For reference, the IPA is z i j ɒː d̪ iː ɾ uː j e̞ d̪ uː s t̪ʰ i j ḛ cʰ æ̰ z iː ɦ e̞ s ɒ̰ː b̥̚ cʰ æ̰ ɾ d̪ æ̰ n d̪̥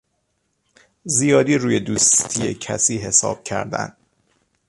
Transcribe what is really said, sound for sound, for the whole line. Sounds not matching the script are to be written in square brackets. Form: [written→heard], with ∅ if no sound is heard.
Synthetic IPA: z i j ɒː d̪ iː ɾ uː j e̞ d̪ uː s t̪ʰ i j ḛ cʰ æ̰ [z→s] iː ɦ e̞ s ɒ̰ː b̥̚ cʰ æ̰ ɾ d̪ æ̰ n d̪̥

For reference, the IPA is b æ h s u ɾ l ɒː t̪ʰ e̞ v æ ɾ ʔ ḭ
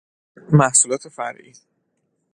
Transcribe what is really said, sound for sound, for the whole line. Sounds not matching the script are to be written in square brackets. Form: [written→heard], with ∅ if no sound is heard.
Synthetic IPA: [b→m] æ h s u [ɾ→∅] l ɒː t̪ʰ e̞ [v→f] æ ɾ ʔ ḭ

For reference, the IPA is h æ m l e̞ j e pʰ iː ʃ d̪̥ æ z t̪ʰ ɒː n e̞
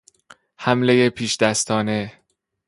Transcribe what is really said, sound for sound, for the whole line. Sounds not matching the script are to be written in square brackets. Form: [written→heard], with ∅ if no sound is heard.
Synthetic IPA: h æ m l e̞ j e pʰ iː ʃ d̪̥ æ [z→s] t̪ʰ ɒː n e̞

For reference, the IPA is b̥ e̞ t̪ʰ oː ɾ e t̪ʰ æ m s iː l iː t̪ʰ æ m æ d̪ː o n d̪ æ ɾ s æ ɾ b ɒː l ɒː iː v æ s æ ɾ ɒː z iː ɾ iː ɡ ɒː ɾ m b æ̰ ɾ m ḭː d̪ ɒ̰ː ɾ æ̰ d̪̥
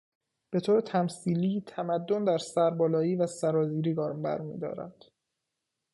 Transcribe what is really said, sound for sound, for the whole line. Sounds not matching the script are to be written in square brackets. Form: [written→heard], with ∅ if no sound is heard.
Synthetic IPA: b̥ e̞ t̪ʰ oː ɾ e t̪ʰ æ m s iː l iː t̪ʰ æ m æ d̪ː o n d̪ æ ɾ s æ ɾ b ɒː l ɒː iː v æ s æ ɾ ɒː z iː ɾ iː ɡ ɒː ɾ m b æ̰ ɾ m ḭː d̪ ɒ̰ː ɾ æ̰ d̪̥

